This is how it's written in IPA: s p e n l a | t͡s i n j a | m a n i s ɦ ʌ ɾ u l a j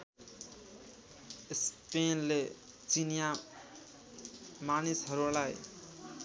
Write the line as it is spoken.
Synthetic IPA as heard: s p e n l e | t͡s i n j a | m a n i s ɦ ʌ ɾ u l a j